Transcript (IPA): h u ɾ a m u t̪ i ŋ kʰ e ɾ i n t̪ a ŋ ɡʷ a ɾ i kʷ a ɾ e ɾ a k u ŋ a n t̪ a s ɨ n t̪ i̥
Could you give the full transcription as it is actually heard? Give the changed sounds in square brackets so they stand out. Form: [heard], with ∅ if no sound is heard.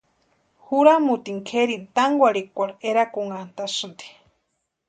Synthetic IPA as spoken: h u ɾ a m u t̪ i ŋ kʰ e ɾ i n t̪ a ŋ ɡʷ a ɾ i kʷ a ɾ e ɾ a k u ŋ a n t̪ a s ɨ n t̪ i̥